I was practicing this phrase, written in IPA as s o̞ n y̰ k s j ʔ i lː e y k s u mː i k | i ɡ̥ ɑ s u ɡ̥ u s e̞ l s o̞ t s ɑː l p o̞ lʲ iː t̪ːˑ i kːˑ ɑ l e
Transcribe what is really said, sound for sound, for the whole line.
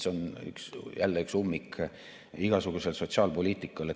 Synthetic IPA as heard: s o̞ n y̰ k s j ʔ æ lː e y k s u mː i k | i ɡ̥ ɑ s u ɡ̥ u s e̞ l s o̞ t s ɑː l p o̞ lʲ iː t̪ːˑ i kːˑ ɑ l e